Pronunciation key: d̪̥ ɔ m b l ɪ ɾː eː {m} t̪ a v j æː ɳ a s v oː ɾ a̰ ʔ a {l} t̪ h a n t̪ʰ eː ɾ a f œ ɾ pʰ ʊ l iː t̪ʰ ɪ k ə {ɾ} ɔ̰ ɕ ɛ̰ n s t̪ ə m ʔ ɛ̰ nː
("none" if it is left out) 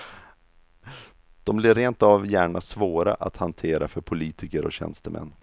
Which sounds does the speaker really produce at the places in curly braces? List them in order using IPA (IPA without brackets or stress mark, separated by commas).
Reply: n, none, ɾ